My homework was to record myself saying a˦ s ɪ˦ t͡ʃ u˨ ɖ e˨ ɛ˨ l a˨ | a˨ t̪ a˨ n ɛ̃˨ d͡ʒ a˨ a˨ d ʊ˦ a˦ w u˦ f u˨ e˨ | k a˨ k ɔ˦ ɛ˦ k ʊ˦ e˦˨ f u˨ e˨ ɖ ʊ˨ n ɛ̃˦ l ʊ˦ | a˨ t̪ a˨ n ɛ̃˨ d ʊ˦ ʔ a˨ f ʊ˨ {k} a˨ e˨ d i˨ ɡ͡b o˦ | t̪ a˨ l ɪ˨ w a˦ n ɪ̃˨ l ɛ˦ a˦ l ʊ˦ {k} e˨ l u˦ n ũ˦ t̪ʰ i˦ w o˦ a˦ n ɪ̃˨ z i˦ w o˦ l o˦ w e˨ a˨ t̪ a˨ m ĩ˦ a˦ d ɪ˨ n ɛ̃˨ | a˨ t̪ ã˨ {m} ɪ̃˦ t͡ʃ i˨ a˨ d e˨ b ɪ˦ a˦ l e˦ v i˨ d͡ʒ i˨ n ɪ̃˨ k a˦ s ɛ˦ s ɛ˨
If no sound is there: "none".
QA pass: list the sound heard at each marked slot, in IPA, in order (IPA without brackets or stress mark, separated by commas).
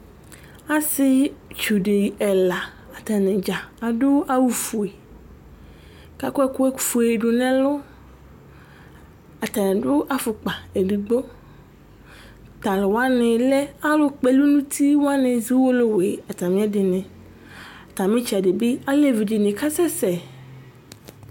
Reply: k͡p, k͡p, m